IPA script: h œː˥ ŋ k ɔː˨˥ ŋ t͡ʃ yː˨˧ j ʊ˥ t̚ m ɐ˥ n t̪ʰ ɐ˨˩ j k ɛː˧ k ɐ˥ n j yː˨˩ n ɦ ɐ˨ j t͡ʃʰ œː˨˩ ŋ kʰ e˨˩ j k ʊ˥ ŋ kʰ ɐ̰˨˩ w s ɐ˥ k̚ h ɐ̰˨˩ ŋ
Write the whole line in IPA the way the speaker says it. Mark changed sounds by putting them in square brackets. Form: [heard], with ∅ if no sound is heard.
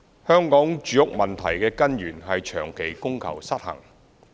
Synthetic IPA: h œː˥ ŋ k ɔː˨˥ ŋ t͡ʃ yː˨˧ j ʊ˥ [k̚] m [ɐ˨] n t̪ʰ ɐ˨˩ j k ɛː˧ k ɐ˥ n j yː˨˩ n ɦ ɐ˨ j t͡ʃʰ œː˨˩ ŋ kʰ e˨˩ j k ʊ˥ ŋ kʰ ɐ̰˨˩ w s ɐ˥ [t̚] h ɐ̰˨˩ ŋ